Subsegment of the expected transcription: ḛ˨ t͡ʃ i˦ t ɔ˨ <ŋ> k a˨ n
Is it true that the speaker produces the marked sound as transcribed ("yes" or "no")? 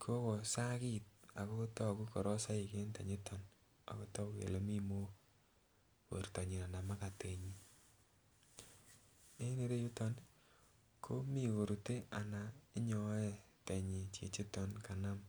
no